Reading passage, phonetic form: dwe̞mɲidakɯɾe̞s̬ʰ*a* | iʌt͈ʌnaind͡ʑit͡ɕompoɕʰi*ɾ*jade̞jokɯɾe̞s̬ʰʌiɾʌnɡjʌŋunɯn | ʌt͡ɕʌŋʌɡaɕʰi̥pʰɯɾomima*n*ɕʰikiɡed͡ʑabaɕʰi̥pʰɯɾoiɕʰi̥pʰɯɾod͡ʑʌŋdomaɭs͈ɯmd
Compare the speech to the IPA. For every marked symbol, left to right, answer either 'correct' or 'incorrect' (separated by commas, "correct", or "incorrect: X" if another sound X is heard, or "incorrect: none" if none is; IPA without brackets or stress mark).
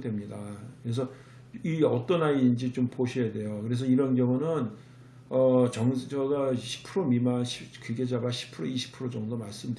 incorrect: ʌ, incorrect: none, correct